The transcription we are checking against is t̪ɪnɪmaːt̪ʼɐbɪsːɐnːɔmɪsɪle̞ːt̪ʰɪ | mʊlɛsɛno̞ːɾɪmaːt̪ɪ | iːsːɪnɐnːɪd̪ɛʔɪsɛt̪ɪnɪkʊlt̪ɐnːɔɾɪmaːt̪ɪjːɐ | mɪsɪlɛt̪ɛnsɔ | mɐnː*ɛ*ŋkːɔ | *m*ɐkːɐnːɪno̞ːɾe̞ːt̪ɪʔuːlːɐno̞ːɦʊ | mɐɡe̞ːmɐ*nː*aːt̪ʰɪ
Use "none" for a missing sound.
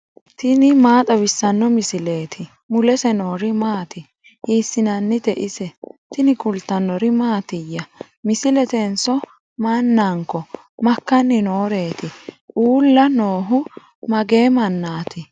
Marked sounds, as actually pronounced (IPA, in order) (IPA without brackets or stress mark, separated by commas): a, m, nː